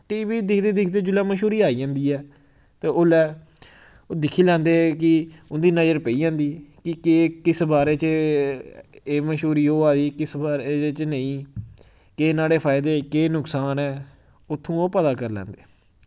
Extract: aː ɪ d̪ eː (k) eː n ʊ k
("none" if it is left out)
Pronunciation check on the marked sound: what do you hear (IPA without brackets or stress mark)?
k